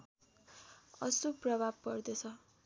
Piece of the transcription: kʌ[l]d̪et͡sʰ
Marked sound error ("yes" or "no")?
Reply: yes